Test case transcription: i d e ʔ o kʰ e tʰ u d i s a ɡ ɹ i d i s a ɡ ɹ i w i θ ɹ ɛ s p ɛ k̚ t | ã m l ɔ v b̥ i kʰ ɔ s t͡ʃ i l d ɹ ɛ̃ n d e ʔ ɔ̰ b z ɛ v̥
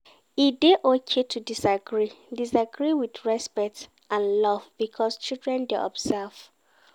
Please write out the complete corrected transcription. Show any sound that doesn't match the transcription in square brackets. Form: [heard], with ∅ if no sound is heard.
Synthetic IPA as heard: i d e ʔ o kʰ e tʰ u d i s a ɡ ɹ i d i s a ɡ ɹ i w i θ ɹ ɛ s p ɛ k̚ t | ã [n] l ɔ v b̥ i kʰ ɔ s t͡ʃ i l d ɹ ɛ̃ n d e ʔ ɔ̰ b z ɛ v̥